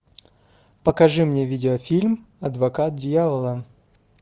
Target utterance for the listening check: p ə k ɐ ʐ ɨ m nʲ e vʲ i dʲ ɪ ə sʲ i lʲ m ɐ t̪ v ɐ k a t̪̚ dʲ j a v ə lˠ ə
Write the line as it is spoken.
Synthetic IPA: p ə k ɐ ʐ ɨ m nʲ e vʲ i dʲ ɪ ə fʲ i lʲ m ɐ d̪ v ɐ k a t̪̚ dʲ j a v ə lˠ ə